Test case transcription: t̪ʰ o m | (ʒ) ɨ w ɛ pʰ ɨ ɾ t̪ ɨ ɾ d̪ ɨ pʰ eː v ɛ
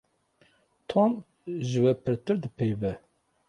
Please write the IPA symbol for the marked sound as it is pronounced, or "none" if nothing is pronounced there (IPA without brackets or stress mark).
ʒ